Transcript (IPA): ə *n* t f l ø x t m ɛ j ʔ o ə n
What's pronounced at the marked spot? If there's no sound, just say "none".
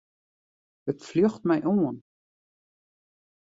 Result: none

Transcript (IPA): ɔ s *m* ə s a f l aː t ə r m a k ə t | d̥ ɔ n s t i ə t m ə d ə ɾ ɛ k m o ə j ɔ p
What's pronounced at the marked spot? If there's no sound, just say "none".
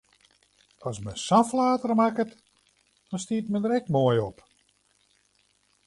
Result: m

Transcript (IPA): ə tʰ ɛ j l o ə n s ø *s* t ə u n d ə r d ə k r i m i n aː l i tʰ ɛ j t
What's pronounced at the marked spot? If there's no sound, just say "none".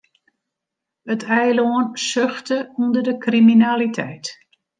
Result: x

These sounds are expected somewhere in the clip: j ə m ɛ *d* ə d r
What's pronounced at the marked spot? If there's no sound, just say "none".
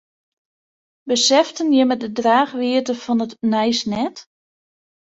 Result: d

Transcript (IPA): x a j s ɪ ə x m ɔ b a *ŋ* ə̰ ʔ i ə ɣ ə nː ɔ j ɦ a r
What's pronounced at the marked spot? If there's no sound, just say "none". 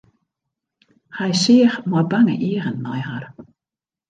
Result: ŋ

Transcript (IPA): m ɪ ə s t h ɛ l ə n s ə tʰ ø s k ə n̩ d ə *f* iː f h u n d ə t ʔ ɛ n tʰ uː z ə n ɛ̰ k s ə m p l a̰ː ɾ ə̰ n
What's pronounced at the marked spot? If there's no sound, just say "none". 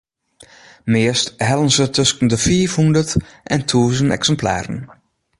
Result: f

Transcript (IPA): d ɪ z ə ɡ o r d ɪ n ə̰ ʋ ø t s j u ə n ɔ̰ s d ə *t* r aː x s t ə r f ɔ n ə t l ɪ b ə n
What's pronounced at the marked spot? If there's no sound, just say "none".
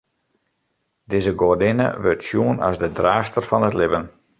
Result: d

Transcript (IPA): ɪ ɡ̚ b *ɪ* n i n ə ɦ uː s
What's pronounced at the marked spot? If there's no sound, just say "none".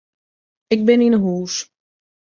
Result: ɪ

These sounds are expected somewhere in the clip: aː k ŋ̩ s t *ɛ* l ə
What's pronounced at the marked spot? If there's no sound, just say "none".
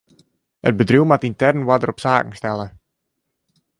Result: ɛ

